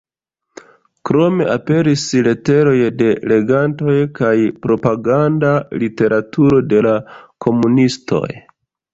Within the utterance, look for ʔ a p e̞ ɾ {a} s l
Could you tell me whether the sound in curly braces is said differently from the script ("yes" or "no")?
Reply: yes